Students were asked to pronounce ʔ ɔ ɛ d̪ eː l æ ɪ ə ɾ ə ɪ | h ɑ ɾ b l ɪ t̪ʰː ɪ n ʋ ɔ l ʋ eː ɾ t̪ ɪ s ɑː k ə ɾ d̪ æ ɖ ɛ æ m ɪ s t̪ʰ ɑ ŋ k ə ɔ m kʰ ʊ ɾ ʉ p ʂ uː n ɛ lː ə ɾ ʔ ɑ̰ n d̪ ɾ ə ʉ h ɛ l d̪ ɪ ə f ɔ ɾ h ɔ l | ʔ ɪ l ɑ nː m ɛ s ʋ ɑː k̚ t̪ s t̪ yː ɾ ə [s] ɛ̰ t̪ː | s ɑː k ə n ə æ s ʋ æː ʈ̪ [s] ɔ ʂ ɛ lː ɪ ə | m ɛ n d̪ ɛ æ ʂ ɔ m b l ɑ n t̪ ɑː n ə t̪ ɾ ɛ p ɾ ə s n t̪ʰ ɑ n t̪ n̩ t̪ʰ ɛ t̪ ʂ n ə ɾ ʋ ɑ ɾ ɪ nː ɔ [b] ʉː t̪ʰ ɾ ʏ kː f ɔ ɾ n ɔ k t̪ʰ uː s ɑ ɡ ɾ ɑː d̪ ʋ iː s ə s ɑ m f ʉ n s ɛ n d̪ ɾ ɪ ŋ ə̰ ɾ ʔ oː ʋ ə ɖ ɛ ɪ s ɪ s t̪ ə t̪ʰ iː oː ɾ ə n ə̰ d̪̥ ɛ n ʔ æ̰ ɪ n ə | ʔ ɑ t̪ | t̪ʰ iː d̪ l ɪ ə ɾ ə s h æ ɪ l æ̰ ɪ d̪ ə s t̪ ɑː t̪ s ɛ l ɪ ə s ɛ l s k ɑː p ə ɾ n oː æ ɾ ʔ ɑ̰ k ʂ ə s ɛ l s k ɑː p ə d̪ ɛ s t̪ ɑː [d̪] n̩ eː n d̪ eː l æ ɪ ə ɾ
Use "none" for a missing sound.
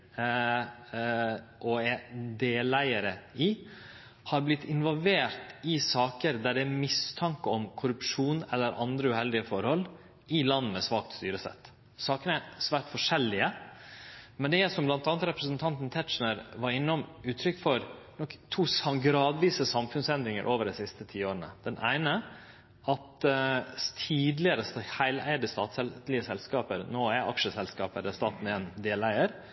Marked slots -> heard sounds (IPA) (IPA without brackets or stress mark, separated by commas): s, f, m, t̪